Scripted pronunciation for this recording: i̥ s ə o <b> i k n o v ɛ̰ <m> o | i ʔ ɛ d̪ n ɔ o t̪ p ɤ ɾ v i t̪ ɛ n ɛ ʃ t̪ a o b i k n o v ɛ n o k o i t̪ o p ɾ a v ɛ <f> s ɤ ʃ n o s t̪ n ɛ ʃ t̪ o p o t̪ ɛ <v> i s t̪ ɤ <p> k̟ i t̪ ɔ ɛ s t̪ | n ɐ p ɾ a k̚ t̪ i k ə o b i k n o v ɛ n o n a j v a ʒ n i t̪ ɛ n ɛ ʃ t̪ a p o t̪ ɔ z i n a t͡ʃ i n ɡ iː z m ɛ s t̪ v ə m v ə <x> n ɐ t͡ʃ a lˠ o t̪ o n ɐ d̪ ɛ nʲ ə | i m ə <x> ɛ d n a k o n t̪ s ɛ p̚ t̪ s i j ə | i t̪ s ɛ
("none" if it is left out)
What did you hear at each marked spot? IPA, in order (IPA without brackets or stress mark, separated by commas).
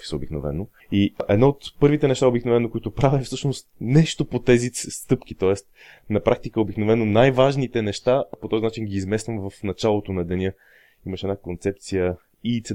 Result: b, n, f, z, p, f, ʃ